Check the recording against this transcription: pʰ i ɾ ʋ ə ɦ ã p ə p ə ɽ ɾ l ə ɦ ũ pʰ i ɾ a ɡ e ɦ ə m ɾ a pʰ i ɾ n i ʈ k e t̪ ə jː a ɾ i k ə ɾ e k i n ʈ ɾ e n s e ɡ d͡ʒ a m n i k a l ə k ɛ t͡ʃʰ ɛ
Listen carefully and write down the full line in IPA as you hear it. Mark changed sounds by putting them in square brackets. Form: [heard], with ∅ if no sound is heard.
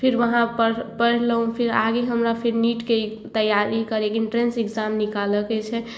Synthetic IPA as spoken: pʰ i ɾ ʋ ə ɦ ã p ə p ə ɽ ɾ l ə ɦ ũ pʰ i ɾ a ɡ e ɦ ə m ɾ a pʰ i ɾ n i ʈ k e t̪ ə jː a ɾ i k ə ɾ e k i n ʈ ɾ e n s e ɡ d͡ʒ a m n i k a l ə k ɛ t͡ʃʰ ɛ